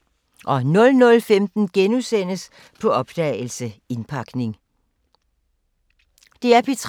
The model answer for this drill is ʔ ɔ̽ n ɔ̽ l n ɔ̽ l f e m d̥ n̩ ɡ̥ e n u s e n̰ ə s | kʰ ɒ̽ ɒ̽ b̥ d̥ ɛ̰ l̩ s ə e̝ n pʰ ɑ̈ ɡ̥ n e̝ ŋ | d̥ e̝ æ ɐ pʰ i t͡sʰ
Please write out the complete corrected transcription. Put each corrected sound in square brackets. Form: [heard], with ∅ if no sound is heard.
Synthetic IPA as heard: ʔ [ɒ̽] n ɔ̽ l n ɔ̽ l f e m d̥ n̩ ɡ̥ e n u s e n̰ ə s | [pʰ] ɒ̽ ɒ̽ b̥ d̥ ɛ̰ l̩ s ə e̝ n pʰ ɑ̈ ɡ̥ n e̝ ŋ | d̥ e̝ æ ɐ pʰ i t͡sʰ